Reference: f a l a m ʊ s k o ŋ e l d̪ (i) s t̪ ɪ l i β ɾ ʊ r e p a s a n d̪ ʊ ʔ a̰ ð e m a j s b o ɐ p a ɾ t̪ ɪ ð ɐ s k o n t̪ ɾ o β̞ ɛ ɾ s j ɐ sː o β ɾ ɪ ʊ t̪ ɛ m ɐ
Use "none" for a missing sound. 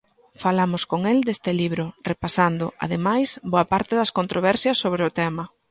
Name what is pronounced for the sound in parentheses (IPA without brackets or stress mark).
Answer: e